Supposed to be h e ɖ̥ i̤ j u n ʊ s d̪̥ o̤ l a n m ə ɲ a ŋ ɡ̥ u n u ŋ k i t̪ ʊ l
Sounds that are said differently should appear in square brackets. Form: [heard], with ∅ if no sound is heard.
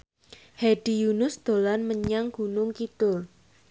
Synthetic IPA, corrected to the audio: h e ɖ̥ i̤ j u n ʊ s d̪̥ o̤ l a n m ə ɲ a ŋ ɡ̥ u n [ʊ] ŋ k i t̪ ʊ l